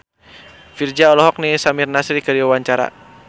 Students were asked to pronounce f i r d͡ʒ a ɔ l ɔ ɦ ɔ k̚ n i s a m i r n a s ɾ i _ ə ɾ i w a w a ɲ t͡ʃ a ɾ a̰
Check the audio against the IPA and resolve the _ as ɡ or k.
k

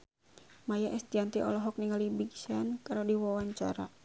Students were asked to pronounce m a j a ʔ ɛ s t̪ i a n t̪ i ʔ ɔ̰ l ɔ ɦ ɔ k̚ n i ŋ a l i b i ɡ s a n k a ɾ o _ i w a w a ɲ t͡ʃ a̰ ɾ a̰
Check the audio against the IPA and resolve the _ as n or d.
d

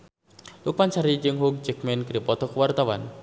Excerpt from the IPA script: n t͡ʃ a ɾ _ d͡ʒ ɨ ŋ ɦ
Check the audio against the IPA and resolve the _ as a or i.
i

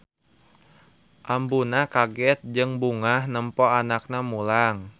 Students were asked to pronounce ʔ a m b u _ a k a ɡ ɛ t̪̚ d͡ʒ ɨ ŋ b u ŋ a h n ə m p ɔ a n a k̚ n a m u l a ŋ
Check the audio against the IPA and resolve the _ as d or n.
n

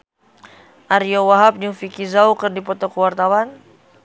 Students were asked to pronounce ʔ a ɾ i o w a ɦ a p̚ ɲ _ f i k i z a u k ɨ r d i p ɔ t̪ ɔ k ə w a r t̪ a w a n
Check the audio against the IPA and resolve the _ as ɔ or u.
u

